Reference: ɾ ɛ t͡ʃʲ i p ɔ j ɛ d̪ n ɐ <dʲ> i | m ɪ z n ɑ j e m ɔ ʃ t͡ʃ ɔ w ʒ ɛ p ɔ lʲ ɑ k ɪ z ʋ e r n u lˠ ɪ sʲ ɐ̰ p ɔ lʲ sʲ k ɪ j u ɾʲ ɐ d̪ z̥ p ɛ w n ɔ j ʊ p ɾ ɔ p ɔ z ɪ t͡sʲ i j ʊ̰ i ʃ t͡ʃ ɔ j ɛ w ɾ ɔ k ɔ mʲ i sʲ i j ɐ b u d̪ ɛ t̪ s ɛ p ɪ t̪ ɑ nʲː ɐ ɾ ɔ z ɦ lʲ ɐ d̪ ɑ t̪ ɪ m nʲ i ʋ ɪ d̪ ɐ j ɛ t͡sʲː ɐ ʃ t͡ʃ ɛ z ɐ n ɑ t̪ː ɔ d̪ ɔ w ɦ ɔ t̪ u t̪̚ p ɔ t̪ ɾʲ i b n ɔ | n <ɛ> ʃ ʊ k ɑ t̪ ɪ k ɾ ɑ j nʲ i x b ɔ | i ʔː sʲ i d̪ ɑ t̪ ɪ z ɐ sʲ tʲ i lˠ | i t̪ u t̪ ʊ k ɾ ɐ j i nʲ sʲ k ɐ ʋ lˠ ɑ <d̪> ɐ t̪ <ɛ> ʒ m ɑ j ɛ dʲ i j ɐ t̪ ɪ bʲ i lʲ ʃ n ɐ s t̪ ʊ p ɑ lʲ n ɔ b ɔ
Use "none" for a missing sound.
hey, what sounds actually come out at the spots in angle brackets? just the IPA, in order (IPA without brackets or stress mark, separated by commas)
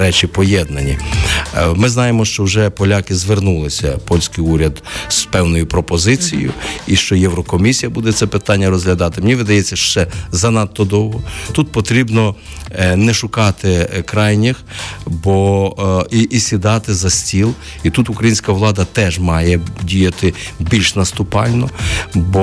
nʲ, ɛ, d̪, ɛ